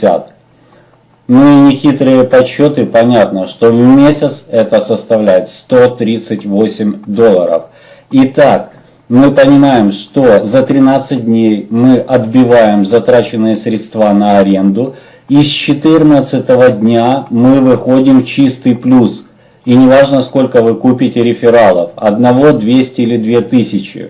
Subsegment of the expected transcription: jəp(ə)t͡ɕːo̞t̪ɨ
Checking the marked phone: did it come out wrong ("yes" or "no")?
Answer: yes